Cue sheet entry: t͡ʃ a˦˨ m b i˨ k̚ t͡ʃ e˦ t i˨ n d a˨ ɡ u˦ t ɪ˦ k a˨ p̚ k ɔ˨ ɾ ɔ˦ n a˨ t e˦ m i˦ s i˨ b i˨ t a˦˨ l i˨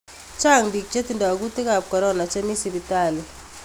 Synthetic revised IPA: t͡ʃ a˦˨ ŋ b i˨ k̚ t͡ʃ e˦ t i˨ n d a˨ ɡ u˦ t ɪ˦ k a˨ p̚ k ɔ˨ ɾ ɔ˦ n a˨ t͡ʃ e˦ m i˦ s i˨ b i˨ t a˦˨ l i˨